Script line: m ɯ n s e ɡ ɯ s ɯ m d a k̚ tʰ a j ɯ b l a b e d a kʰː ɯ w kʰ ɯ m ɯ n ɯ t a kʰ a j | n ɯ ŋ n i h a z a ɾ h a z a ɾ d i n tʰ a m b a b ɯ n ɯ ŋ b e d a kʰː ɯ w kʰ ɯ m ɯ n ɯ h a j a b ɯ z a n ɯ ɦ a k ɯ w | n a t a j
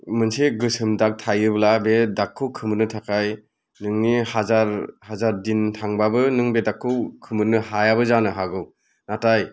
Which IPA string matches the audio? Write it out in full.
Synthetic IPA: m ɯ n s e ɡ ɯ s ɯ m d a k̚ tʰ a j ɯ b l a b e d a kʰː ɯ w kʰ ɯ m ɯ n ɯ tʰ a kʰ a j | n ɯ ŋ n i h a z a ɾ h a z a ɾ d i n tʰ a ŋ b a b ɯ n ɯ ŋ b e d a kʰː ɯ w kʰ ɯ m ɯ n ɯ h a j a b ɯ z a n ɯ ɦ a ɡ ɯ w | n a t a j